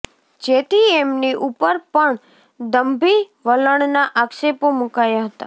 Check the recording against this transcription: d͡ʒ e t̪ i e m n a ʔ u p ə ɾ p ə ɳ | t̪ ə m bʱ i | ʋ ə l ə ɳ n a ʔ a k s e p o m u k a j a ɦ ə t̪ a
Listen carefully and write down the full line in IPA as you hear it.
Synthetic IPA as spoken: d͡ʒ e t̪ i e m n i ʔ u p ə ɾ p ə ɳ | d̪ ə m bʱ i | ʋ ə l ə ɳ n a ʔ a k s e p o m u k a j a ɦ ə t̪ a

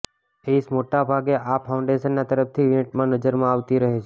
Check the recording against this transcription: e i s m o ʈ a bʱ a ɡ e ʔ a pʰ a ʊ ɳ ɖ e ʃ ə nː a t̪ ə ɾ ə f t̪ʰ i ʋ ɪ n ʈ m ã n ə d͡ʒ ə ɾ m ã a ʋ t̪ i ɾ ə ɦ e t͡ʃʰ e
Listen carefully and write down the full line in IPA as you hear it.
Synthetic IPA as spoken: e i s m o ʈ a bʱ a ɡ e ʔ a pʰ a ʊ ɳ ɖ e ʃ ə nː a t̪ ə ɾ ə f t̪ʰ i ʋ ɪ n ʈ m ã n ə d͡ʒ ə ɾ m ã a ʋ t̪ i ɾ ə ɦ e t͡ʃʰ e

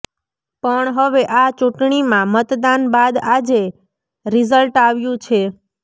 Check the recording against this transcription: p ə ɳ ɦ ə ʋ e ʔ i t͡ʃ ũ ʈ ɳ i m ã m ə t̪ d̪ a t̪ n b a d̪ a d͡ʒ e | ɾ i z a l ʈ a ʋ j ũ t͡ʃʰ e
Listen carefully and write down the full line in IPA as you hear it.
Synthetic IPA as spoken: p ə ɳ ɦ ə ʋ e ʔ a t͡ʃ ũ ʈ ɳ i m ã m ə t̪ d̪ a n b a d̪ a d͡ʒ e | ɾ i z ə l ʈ a ʋ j ũ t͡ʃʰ e

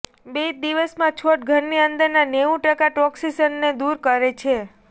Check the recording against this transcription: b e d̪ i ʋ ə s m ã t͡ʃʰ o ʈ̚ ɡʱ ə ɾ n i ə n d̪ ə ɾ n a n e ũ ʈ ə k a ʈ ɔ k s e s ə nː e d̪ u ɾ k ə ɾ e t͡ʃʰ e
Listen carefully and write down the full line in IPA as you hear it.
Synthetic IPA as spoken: b e d̪ i ʋ ə s m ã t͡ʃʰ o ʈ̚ ɡʱ ə ɾ n i ə n d̪ ə ɾ n a n e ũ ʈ ə k a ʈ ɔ k s i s ə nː e d̪ u ɾ k ə ɾ e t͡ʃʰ e

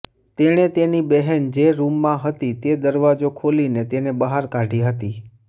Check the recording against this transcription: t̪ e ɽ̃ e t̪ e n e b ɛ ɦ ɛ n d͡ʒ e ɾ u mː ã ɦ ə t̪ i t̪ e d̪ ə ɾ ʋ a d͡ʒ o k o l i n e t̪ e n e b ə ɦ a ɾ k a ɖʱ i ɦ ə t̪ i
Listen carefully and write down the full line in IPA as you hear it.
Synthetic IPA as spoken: t̪ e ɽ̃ e t̪ e n i b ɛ ɦ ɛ n d͡ʒ e ɾ u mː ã ɦ ə t̪ i t̪ e d̪ ə ɾ ʋ a d͡ʒ o kʰ o l i n e t̪ e n e b ə ɦ a ɾ k a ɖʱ i ɦ ə t̪ i

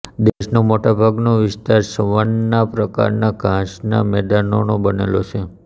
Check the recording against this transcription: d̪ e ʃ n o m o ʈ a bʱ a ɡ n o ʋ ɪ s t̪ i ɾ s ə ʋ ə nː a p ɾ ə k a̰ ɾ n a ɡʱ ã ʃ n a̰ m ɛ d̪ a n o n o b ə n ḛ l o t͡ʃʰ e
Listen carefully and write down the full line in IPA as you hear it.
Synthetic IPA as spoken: d̪ e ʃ n o m o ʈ a bʱ a ɡ n o ʋ ɪ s t̪ a ɾ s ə ʋ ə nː a p ɾ ə k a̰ ɾ n a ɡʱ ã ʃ n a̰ m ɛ d̪ a n o n o b ə n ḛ l o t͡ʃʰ e

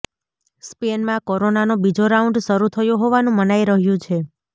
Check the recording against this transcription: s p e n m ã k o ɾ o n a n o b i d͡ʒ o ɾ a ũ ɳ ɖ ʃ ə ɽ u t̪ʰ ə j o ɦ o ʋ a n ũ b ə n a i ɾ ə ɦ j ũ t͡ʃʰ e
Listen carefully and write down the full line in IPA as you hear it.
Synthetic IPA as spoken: s p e n m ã k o ɾ o n a n o b i d͡ʒ o ɾ a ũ ɳ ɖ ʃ ə ɾ u t̪ʰ ə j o ɦ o ʋ a n ũ m ə n a i ɾ ə ɦ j ũ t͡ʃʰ e

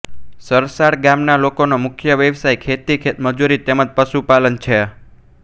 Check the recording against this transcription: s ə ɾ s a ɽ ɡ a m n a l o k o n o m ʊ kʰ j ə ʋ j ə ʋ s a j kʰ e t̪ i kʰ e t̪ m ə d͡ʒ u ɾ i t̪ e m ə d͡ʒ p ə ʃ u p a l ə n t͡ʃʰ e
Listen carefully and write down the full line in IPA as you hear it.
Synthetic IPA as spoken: s ə ɾ s a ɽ ɡ a m n a l o k o n o m ʊ kʰ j ə ʋ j ə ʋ s a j kʰ e t̪ i kʰ e t̪ m ə d͡ʒ u ɾ i t̪ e m ə d͡ʒ p ə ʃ u p a l ə n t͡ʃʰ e

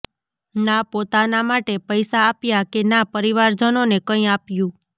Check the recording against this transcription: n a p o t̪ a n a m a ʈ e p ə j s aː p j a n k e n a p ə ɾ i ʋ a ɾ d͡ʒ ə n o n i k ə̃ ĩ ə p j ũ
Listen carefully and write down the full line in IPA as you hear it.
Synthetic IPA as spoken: n a p o t̪ a n a m a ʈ e p ə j s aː p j a k e n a p ə ɾ i ʋ a ɾ d͡ʒ ə n o n e k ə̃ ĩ a p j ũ

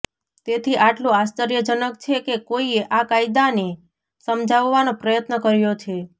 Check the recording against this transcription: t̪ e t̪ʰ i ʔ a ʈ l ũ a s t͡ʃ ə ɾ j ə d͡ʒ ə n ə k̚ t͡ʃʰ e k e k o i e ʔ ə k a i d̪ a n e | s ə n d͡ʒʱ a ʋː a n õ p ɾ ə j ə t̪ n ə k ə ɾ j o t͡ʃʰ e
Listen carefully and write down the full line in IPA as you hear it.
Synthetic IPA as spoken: t̪ e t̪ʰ i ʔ a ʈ l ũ a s t͡ʃ ə ɾ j ə d͡ʒ ə n ə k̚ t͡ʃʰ e k e k o i e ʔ a k a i d̪ a n e | s ə m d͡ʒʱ a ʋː a n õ p ɾ ə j ə t̪ n ə k ə ɾ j o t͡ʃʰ e

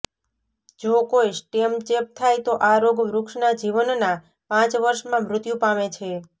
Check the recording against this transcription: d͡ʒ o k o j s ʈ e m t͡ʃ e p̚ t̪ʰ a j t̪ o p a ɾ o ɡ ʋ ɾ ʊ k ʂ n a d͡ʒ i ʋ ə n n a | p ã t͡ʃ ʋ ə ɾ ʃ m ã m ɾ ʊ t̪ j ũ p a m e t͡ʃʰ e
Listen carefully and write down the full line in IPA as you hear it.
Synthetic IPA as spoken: d͡ʒ o k o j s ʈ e m t͡ʃ e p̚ t̪ʰ a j t̪ o ʔ a ɾ o ɡ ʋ ɾ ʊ k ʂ n a d͡ʒ i ʋ ə n n a | p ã t͡ʃ ʋ ə ɾ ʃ m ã m ɾ ʊ t̪ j ũ p a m e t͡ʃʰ e

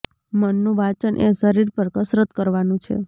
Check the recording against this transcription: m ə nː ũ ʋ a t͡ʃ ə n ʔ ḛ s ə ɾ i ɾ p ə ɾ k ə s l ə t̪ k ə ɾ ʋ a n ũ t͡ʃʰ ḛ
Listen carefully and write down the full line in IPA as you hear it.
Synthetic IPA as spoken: m ə nː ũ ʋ a t͡ʃ ə n ʔ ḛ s ə ɾ i ɾ p ə ɾ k ə s ɾ ə t̪ k ə ɾ ʋ a n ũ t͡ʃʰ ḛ

